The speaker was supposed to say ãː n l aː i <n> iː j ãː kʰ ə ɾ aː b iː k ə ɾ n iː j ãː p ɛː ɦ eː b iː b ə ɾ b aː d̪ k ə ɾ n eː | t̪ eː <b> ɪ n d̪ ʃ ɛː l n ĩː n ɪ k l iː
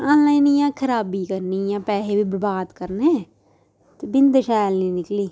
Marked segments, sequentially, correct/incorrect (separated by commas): correct, correct